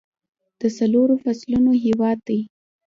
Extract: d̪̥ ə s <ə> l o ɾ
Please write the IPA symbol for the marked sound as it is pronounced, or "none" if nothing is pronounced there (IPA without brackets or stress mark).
a